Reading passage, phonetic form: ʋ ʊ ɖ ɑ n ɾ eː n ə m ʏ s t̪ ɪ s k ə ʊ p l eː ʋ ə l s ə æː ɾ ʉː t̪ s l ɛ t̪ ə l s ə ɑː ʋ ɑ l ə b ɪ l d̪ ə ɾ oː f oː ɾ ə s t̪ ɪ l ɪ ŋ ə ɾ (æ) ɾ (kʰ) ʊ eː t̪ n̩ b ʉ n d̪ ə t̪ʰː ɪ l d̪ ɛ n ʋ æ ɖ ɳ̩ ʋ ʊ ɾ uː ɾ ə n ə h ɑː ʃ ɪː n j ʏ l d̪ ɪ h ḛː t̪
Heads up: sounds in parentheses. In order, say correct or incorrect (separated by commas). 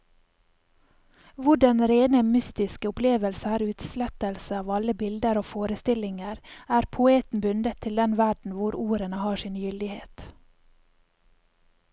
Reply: incorrect, incorrect